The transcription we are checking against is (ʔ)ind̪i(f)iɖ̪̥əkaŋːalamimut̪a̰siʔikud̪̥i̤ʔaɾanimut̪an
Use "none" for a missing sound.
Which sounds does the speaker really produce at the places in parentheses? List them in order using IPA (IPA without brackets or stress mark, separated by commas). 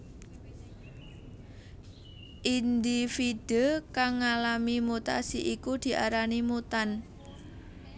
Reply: ʔ, f